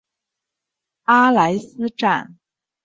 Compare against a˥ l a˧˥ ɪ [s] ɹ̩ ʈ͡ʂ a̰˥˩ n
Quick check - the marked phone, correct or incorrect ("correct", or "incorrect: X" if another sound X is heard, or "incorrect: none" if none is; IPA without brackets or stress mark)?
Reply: correct